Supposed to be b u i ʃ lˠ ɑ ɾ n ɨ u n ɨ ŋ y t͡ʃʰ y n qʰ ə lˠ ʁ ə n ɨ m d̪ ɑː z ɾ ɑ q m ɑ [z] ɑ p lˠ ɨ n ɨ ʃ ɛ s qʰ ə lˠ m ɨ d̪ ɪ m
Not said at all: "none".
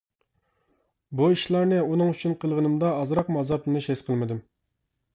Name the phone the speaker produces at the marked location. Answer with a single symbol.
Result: z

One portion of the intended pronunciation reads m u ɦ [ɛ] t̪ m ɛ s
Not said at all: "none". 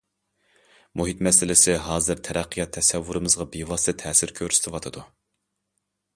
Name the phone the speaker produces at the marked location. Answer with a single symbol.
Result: i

